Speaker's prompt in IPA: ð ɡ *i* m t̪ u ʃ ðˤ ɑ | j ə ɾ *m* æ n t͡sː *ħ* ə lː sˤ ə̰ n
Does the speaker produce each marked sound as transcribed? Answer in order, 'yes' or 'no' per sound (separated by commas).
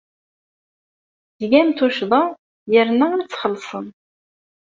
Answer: no, no, no